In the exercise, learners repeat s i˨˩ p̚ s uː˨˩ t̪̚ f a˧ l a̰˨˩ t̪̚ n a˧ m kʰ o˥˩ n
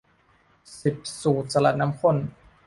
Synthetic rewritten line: s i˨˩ p̚ s uː˨˩ t̪̚ s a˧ l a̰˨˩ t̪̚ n a˦˥ m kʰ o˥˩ n